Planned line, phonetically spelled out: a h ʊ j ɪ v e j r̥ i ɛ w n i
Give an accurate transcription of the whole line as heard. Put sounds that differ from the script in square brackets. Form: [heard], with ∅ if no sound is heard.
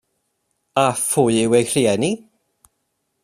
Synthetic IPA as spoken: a [f] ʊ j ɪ [w] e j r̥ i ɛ [∅] n i